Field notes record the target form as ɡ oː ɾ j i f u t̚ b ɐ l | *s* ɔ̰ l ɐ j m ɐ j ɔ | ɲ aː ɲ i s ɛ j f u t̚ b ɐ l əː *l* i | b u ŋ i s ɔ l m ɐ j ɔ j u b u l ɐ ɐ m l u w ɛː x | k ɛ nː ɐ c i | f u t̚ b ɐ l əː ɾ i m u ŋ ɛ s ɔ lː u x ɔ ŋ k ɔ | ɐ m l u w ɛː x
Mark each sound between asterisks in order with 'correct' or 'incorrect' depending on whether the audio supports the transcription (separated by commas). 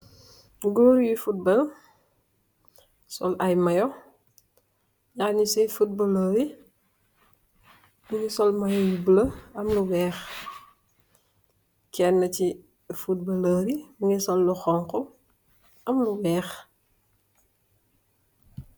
correct, incorrect